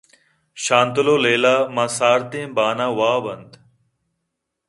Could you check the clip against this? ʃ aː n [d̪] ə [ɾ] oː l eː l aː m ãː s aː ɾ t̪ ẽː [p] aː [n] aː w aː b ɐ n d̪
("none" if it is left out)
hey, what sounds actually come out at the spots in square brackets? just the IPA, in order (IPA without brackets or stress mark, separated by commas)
t̪, l, b, n